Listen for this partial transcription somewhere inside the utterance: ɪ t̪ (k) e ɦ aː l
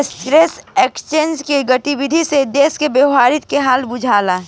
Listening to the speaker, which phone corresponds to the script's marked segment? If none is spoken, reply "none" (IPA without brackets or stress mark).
k